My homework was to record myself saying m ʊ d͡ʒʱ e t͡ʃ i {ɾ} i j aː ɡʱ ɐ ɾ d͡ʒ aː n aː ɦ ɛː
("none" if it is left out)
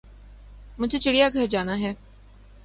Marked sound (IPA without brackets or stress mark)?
ɽ